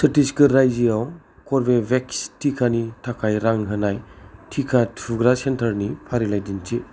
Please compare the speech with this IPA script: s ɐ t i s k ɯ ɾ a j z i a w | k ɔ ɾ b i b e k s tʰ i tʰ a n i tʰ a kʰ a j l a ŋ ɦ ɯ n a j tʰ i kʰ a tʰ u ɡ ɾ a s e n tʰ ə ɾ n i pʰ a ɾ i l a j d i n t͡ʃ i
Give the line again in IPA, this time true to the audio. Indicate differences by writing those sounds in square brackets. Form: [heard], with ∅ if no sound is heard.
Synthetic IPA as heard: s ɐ t i s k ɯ ɾ a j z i a w | k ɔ ɾ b [e] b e k s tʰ i [kʰ] a n i tʰ a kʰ a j [ɾ] a ŋ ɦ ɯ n a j tʰ i kʰ a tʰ u ɡ ɾ a s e n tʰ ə ɾ n i pʰ a ɾ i l a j d i n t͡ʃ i